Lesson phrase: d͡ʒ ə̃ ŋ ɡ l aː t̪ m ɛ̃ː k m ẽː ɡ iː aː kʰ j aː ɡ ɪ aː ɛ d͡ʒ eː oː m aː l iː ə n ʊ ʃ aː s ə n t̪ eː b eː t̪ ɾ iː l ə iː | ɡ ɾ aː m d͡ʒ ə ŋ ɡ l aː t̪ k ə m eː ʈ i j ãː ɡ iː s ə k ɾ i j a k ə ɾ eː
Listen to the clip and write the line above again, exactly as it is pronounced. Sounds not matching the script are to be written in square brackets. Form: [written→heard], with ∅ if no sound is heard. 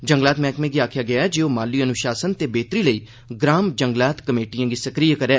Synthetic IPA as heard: d͡ʒ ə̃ ŋ ɡ l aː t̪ m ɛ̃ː k m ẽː ɡ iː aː kʰ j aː ɡ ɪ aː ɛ d͡ʒ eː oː m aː l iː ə n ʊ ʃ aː s ə n t̪ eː b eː t̪ ɾ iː l ə iː | ɡ ɾ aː m d͡ʒ ə ŋ ɡ l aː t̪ k ə m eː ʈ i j ãː ɡ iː s ə k ɾ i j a k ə ɾ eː